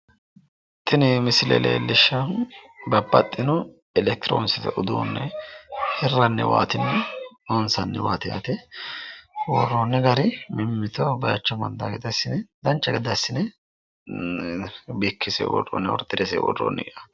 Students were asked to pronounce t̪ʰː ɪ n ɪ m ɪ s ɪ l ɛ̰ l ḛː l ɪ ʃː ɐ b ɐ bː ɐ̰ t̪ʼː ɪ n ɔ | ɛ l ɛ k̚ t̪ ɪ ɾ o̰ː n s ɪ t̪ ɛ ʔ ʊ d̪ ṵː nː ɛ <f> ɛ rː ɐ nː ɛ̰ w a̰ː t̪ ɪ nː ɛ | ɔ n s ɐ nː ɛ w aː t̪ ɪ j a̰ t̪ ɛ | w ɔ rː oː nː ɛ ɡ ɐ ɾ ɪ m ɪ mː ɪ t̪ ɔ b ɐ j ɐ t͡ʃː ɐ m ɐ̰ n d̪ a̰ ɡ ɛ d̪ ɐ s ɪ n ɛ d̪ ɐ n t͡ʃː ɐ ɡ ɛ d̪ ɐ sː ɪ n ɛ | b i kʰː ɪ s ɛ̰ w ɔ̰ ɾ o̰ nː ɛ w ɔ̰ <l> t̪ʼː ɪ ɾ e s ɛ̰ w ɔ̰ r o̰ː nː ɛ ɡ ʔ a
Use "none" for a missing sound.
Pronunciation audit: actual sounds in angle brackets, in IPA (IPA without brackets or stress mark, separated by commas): h, ɾ